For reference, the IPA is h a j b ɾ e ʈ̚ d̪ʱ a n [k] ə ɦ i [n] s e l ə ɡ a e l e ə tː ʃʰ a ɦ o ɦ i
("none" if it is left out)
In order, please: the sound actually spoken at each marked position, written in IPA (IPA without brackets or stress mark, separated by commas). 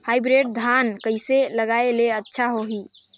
k, none